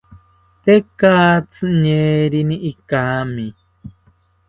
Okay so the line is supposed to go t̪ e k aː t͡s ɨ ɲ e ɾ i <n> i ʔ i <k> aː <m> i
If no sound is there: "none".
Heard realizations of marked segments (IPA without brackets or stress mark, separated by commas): n, k, m